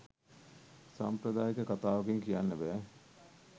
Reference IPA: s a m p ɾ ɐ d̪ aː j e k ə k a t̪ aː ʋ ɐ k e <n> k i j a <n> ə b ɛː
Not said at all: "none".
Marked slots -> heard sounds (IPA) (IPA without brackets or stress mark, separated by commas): ŋ, nː